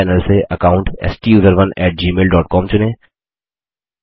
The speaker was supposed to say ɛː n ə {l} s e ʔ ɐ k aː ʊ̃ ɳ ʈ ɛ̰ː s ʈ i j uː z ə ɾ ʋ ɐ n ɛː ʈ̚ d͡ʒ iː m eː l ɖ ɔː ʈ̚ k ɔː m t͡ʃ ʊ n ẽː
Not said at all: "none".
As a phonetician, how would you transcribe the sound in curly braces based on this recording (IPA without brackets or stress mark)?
l